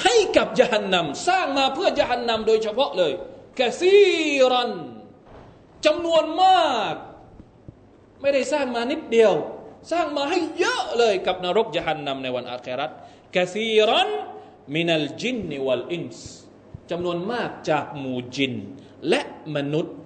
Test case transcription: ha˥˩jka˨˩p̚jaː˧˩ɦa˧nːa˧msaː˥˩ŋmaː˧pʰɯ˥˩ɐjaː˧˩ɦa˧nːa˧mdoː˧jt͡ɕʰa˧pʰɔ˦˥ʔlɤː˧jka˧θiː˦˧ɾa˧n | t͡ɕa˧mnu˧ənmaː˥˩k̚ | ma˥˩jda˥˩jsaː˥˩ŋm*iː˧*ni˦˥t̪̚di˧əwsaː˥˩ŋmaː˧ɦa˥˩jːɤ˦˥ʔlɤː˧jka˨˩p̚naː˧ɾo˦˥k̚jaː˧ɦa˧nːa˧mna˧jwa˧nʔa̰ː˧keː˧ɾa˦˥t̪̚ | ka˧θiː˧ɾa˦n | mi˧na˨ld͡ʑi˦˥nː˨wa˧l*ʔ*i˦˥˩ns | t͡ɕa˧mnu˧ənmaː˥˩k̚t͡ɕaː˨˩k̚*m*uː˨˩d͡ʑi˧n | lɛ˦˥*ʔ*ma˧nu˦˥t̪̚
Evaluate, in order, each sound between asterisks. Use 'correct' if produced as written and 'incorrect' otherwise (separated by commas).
incorrect, correct, correct, correct